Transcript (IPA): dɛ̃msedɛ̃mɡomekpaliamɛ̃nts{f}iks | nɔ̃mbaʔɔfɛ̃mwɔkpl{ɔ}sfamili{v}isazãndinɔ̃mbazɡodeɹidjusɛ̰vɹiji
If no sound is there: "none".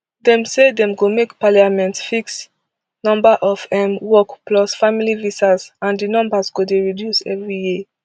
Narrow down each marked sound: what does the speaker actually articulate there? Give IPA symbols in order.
f, ɔ, v

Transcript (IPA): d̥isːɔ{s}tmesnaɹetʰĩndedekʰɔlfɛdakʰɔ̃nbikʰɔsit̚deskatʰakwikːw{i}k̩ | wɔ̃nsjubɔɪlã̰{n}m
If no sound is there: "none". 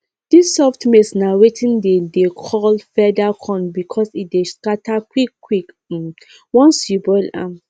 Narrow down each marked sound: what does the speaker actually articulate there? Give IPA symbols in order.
f, i, none

